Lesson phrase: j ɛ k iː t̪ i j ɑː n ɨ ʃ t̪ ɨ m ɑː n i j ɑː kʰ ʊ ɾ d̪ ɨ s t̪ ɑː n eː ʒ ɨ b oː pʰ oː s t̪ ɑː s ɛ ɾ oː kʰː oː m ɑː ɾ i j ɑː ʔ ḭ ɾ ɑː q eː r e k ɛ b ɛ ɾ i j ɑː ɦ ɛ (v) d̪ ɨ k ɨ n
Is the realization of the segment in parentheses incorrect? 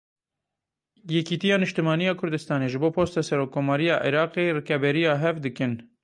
no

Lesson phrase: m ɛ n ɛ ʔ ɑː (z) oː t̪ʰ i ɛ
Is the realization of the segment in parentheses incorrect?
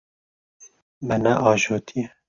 yes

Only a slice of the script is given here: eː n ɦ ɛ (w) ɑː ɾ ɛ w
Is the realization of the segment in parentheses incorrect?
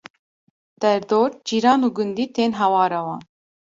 no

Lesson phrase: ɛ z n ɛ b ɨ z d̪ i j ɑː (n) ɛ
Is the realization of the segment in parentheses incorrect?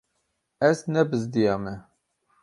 yes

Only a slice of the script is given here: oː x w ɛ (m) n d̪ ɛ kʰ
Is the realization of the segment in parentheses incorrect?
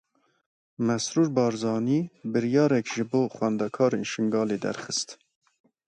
yes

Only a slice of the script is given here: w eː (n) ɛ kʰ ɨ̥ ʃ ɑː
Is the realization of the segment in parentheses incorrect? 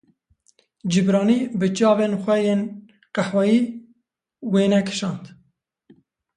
no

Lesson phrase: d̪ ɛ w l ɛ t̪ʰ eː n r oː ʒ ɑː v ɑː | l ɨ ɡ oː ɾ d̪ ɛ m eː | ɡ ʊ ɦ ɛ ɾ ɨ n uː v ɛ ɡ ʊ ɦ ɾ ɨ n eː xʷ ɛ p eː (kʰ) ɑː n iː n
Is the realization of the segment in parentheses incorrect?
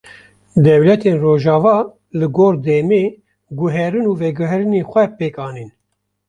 yes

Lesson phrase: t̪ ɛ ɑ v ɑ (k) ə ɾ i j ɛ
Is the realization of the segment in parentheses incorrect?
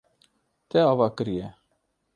no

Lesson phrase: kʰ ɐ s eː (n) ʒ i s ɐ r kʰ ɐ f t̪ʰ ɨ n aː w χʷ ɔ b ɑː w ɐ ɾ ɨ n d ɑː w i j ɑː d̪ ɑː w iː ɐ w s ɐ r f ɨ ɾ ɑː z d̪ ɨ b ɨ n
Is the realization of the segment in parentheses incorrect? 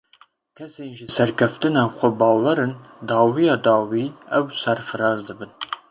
no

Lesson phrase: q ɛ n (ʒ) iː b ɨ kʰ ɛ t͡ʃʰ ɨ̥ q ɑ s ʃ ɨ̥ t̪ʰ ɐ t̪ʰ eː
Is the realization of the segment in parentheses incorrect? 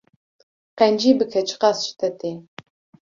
yes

